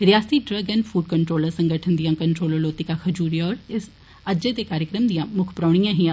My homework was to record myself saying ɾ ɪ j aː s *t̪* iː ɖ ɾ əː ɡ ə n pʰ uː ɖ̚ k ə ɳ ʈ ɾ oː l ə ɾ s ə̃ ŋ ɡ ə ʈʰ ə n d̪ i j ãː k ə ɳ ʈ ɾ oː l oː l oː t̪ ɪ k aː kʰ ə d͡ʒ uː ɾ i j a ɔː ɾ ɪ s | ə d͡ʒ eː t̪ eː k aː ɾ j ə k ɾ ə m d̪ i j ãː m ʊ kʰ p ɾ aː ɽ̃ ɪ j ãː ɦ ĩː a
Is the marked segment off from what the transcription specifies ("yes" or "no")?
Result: no